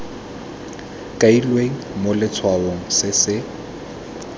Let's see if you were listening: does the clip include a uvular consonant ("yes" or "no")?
no